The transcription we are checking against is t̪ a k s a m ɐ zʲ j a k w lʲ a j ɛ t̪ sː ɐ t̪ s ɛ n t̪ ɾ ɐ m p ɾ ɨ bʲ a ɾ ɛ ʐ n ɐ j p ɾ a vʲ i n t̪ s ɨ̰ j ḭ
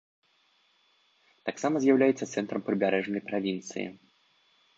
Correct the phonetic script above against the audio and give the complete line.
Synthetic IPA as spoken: t̪ a k s a m ɐ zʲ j a w lʲ a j ɛ t̪ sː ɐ t̪ s ɛ n t̪ ɾ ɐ m p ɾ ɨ bʲ a ɾ ɛ ʐ n ɐ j p ɾ a vʲ i n t̪ s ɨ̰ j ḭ